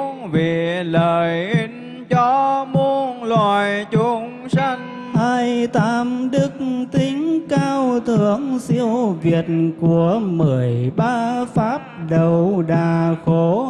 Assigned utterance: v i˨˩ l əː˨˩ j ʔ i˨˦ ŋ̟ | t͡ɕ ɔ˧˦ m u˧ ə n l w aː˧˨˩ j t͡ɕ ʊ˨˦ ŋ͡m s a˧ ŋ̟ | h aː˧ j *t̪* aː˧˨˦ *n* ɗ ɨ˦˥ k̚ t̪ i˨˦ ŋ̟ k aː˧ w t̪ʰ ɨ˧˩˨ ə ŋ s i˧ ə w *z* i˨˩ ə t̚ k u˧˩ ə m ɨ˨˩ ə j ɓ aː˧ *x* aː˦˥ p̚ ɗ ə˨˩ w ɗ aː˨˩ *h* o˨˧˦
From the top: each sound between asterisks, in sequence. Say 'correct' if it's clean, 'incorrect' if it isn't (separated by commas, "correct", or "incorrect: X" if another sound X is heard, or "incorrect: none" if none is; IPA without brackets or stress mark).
correct, incorrect: m, incorrect: v, incorrect: f, incorrect: x